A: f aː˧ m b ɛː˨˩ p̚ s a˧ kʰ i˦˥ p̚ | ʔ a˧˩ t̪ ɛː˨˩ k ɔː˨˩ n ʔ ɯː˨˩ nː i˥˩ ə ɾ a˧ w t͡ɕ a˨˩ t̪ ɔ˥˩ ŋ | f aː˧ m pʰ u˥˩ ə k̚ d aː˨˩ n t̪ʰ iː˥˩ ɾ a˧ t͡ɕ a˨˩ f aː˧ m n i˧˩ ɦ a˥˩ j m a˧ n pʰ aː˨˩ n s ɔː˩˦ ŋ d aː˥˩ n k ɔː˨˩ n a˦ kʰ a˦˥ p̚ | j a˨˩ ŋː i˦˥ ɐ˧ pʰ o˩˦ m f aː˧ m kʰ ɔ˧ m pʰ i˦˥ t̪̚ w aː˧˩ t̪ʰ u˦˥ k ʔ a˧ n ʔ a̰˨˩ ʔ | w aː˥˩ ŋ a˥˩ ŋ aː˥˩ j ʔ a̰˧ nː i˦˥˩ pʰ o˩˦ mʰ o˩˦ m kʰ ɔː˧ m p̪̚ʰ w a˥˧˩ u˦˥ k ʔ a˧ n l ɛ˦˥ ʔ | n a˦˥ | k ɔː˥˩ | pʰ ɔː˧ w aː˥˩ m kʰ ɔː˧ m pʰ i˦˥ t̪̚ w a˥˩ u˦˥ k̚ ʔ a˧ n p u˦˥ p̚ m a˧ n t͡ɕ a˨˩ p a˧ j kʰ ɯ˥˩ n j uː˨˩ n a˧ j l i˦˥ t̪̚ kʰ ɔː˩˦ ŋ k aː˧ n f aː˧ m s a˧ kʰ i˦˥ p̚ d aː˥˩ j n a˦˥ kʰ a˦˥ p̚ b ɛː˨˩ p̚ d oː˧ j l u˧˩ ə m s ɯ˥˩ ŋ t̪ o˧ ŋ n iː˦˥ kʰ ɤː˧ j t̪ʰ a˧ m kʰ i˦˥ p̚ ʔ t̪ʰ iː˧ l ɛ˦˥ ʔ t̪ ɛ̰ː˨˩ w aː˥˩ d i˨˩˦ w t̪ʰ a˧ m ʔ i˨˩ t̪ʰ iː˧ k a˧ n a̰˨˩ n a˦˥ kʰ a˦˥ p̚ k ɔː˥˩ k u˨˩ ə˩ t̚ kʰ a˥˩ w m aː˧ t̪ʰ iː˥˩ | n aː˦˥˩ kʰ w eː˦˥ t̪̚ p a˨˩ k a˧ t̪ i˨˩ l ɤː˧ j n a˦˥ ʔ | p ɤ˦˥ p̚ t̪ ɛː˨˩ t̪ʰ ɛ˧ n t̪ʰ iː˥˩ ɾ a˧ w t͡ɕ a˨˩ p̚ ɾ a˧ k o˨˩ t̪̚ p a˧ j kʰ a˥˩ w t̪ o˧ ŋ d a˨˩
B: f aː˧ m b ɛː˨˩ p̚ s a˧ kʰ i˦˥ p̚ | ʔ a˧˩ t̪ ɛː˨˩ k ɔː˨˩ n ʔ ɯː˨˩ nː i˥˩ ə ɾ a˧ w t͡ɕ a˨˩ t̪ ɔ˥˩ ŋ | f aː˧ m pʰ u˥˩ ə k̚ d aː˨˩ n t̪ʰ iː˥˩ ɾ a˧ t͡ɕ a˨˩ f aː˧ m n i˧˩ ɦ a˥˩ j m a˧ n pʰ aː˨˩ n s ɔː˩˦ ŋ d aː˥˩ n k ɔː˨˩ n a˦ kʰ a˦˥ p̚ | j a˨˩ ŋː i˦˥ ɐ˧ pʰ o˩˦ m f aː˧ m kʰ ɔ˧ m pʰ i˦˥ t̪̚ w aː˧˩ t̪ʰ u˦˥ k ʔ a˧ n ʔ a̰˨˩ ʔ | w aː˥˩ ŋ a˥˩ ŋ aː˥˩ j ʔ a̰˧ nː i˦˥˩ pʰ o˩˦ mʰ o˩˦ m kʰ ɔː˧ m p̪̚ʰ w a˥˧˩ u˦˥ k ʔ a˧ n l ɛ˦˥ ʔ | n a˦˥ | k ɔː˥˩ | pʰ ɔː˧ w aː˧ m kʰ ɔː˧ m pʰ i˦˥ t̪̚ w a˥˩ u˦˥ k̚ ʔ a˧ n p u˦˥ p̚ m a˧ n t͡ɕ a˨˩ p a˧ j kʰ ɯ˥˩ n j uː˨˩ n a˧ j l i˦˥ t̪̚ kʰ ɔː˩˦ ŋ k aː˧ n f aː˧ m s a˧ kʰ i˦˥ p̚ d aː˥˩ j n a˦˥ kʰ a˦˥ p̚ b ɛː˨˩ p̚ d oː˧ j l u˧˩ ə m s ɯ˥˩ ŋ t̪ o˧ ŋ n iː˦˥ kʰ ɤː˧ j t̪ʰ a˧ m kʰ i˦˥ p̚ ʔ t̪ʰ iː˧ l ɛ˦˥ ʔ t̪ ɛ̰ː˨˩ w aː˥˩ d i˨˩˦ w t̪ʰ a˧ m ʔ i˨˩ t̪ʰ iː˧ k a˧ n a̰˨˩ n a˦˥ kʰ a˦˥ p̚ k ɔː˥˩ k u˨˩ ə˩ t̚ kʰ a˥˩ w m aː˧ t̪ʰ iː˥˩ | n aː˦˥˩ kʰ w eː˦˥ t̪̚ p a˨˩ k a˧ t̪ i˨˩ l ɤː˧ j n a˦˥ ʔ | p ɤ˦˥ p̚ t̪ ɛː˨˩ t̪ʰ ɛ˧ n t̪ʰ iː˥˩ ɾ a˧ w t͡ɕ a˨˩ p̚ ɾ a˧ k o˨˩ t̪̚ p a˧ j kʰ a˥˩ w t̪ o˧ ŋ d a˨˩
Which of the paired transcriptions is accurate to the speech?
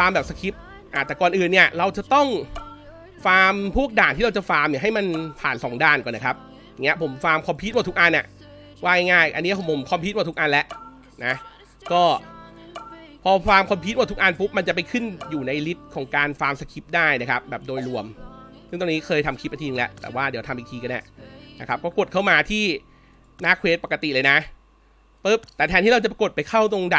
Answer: B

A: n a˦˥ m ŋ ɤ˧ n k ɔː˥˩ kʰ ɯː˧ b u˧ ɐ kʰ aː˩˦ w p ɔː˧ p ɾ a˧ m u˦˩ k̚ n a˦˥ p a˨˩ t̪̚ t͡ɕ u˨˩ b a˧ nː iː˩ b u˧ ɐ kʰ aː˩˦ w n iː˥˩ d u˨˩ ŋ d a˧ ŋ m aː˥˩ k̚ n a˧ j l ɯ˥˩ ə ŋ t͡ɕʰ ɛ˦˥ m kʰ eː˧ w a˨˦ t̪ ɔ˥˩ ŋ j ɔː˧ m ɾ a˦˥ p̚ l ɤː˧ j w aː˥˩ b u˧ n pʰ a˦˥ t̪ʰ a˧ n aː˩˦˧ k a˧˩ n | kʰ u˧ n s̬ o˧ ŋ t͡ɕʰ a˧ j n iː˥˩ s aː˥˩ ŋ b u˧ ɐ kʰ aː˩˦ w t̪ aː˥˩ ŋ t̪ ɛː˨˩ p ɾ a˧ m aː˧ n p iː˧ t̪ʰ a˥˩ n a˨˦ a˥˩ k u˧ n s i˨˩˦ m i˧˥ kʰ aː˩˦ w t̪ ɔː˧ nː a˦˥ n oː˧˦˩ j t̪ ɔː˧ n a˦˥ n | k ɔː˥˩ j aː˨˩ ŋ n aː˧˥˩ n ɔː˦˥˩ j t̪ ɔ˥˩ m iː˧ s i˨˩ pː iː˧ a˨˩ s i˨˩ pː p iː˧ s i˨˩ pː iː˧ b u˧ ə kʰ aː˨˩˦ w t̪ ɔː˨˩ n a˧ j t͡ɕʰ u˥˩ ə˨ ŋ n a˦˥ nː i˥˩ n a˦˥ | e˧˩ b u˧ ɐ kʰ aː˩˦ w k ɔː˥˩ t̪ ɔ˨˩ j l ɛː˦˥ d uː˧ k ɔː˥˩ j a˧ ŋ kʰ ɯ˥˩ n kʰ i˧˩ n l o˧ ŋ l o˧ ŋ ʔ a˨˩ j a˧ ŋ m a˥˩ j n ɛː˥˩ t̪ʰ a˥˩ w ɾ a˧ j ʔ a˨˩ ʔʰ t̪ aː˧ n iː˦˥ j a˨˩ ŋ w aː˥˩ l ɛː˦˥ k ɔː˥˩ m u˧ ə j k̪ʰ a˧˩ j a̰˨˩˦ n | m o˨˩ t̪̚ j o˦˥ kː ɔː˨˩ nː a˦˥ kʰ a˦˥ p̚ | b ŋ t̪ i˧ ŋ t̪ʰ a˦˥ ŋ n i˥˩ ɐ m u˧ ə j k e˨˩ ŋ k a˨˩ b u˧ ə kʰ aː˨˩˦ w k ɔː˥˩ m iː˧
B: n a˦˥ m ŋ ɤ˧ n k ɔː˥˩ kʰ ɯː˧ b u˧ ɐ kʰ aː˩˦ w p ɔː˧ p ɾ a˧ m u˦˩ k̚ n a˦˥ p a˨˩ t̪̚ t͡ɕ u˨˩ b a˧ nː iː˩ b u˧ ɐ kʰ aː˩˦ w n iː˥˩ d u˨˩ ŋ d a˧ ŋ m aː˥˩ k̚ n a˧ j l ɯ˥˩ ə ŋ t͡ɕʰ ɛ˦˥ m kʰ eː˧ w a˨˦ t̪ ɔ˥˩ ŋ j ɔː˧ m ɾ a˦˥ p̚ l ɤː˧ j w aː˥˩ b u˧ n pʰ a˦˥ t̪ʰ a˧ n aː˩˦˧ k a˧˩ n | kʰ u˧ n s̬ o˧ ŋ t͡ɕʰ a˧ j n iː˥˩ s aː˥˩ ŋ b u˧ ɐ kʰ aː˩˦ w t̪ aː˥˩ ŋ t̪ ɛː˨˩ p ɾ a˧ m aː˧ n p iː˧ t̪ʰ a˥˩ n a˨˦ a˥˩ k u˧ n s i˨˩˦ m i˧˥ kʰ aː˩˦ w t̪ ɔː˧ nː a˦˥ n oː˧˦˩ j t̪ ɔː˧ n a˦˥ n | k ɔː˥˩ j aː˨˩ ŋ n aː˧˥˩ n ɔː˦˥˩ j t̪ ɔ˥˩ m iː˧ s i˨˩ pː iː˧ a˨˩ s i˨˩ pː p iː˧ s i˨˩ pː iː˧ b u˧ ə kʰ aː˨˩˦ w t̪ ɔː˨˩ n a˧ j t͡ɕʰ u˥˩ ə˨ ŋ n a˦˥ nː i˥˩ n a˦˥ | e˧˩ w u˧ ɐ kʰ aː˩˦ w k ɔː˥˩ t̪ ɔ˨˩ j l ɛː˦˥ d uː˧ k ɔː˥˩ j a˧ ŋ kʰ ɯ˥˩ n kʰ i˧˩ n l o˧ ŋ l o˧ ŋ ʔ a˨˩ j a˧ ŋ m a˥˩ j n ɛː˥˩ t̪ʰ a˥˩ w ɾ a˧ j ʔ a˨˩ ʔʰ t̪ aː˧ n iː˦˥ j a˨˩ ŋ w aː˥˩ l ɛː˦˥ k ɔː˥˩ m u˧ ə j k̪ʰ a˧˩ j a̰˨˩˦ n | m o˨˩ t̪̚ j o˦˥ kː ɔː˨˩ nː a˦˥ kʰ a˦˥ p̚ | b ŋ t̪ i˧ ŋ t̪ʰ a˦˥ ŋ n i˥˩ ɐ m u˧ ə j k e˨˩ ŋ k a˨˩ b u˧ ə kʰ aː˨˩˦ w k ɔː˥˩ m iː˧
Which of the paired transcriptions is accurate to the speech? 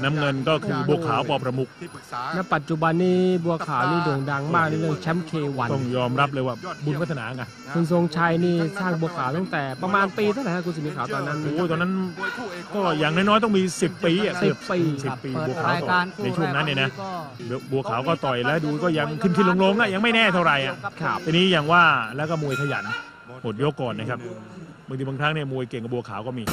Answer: A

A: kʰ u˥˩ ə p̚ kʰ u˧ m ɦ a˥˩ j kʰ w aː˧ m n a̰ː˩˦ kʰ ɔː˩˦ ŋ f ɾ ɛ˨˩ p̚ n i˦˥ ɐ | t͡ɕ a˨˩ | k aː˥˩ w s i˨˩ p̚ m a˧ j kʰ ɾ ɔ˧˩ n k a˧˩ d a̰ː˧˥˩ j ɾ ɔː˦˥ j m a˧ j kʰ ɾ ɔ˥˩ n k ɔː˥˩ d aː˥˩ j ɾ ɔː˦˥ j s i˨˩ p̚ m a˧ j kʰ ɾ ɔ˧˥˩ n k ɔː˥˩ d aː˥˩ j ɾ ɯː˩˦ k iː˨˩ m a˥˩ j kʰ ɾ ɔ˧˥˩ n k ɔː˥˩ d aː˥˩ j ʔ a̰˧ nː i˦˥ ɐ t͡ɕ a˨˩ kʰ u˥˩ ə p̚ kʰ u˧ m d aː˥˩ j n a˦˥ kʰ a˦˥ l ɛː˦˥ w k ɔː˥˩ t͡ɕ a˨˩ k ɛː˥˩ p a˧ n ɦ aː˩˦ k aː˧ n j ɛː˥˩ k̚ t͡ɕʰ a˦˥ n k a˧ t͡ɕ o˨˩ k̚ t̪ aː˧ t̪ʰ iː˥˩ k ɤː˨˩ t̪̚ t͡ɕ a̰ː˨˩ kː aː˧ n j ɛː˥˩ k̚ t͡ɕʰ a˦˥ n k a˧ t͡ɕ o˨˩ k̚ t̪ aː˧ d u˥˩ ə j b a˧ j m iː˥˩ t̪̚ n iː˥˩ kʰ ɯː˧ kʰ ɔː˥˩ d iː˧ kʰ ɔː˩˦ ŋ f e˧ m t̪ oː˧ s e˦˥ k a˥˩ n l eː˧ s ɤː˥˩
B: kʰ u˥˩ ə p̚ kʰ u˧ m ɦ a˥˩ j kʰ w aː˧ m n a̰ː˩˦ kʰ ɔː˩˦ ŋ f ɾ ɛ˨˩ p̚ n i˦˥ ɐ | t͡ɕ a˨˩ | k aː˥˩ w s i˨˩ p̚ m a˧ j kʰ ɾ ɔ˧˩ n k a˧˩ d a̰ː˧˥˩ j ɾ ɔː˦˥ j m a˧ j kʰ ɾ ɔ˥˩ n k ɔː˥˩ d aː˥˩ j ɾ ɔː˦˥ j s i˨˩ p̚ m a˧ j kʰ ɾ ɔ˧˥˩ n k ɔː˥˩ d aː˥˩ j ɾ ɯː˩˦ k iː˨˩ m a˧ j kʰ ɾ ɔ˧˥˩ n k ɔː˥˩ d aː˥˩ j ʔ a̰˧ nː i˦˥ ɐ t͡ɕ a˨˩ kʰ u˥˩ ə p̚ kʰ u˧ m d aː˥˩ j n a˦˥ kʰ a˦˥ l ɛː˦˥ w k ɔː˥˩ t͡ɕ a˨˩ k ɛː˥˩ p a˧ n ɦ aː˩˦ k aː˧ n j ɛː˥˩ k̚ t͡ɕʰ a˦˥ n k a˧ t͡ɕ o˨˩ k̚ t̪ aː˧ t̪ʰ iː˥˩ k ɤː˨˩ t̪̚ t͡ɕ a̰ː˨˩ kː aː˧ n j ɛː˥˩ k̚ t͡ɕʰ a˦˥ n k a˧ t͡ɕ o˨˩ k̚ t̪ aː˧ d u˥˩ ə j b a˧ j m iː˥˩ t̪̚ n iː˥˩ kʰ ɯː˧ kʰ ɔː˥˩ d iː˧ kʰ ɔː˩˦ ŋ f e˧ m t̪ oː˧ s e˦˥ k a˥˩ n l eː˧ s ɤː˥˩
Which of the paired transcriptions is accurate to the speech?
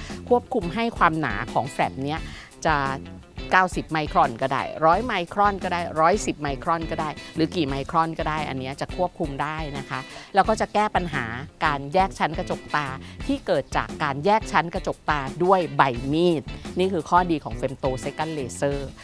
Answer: B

